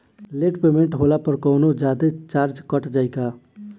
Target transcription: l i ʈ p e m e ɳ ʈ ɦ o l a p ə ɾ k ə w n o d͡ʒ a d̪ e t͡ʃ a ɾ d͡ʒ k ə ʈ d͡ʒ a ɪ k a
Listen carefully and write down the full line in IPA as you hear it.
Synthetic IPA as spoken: l e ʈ p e m e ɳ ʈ ɦ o l a p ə ɾ k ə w n o d͡ʒ a d̪ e t͡ʃ a ɾ d͡ʒ k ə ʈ d͡ʒ a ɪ k a